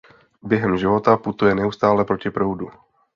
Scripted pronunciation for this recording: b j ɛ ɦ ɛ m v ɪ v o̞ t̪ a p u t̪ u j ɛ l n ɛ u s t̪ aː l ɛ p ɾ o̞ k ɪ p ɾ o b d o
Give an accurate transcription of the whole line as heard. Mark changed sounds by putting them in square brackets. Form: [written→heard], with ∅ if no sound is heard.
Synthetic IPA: b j ɛ ɦ ɛ m [v→ʒ] ɪ v o̞ t̪ a p u t̪ u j ɛ [l→∅] n ɛ u s t̪ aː l ɛ p ɾ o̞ [k→c] ɪ p ɾ o [b→w] d [o→u]